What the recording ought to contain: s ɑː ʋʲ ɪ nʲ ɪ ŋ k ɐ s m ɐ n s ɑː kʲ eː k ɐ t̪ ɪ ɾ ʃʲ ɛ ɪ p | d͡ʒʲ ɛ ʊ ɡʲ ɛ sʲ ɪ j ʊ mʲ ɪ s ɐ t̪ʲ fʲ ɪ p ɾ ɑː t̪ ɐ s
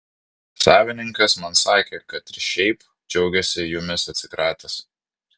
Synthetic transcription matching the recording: s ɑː ʋʲ ɪ nʲ ɪ ŋ k ɐ s m ɐ n s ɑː kʲ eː k ɐ t̪ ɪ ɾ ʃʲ ɛ ɪ p | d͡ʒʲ ɛ ʊ ɡʲ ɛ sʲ ɪ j ʊ mʲ ɪ s ɐ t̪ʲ sʲ ɪ k ɾ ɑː t̪ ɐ s